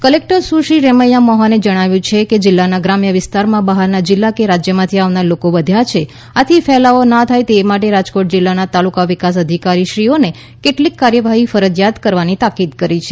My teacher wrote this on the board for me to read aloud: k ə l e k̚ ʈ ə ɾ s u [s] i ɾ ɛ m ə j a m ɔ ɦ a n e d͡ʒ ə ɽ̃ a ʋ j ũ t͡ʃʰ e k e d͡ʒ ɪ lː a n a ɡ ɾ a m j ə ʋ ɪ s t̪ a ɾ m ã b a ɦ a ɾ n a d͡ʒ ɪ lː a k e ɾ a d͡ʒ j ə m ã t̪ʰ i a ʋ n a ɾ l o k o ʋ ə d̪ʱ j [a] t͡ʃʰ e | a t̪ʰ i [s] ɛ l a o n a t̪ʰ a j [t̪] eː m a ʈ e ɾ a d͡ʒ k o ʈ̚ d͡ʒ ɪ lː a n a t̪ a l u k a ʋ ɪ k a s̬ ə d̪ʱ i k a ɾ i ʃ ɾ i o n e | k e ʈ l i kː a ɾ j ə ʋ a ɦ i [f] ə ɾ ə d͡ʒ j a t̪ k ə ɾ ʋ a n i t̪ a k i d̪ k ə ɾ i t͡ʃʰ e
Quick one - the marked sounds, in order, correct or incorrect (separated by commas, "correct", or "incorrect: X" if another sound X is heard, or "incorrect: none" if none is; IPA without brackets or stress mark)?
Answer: incorrect: ʃ, correct, incorrect: f, correct, correct